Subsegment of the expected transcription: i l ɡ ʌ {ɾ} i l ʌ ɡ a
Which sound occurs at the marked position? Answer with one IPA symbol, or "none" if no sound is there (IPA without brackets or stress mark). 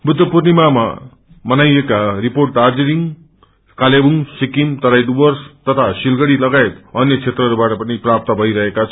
ɽ